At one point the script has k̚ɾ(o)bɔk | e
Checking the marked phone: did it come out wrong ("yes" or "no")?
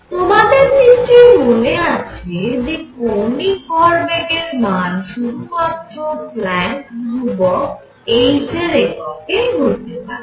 yes